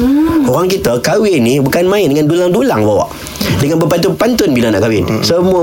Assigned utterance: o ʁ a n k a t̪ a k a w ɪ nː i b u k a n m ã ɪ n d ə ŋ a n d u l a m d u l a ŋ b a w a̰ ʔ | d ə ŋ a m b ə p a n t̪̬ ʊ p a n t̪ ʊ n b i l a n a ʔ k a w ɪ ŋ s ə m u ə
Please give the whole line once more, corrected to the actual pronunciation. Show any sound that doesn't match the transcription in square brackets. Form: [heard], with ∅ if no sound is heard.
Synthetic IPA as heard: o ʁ a [ŋ] k [i] t̪ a k a w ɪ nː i b u k a n m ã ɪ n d ə ŋ a n d u l a [ŋ] d u l a ŋ b a w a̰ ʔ | d ə ŋ a [n] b ə p a n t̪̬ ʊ p a n t̪ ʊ n b i l a n a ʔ k a w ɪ [n] s ə m u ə